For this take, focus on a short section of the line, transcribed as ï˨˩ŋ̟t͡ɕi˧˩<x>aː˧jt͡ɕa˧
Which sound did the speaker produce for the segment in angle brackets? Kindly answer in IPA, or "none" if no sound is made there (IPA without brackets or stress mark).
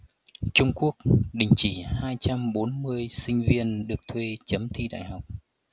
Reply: h